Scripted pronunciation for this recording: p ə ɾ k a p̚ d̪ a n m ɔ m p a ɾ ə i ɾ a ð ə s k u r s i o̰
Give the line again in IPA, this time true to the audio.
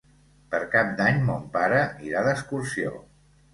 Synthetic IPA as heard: p ə ɾ k a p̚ d̪ a ɲ m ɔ m p a ɾ ə i ɾ a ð ə s k u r s i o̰